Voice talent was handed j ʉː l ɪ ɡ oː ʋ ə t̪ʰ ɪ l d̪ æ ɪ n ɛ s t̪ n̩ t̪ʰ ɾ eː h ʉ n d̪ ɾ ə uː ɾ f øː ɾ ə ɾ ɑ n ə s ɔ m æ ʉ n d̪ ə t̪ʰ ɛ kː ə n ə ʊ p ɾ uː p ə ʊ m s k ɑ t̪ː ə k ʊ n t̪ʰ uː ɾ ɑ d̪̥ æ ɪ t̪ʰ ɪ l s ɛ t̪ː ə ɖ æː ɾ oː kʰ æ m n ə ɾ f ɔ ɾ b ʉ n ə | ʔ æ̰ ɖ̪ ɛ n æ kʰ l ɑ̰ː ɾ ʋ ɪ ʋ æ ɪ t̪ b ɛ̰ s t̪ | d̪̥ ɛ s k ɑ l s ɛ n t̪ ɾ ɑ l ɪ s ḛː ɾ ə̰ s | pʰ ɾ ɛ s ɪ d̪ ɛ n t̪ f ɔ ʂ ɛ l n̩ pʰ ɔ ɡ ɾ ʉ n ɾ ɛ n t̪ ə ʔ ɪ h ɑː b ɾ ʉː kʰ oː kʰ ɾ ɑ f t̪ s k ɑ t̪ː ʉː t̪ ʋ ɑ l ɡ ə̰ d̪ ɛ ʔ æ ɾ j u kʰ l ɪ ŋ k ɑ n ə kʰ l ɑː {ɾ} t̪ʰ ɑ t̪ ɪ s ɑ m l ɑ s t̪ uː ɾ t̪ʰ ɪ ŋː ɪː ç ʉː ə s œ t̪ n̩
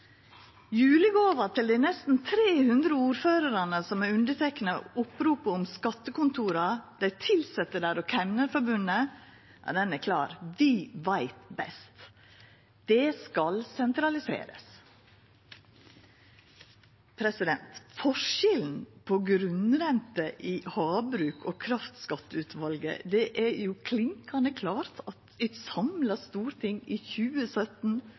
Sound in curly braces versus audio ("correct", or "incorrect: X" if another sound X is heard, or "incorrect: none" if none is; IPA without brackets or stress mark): correct